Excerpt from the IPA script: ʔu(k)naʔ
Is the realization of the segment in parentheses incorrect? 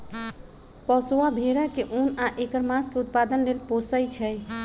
yes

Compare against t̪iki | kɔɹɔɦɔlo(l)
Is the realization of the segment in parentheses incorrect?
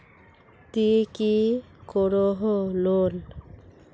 no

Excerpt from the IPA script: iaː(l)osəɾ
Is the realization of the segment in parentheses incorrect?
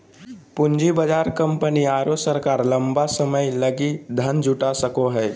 yes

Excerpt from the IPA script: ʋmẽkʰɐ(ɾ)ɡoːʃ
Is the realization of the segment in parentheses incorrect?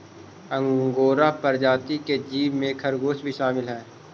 no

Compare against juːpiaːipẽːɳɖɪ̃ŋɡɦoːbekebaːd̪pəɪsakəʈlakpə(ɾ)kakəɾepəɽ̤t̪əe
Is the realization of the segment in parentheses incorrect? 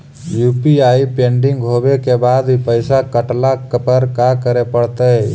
no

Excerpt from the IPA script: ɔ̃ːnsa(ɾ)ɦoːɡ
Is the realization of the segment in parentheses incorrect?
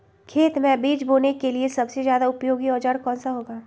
yes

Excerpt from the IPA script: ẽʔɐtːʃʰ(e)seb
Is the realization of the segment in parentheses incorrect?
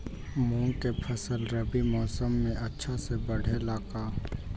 yes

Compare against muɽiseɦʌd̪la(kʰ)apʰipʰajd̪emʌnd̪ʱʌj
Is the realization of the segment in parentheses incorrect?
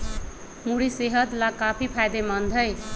yes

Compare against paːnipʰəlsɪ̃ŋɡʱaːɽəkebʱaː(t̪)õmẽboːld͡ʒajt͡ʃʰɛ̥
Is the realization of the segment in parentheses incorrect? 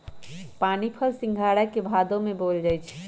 yes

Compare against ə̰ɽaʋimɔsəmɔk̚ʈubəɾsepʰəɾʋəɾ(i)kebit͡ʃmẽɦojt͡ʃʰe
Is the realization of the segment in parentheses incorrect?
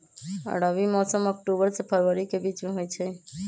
no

